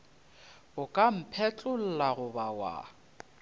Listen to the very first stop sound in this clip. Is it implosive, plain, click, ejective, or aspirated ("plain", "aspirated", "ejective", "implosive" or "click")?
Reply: ejective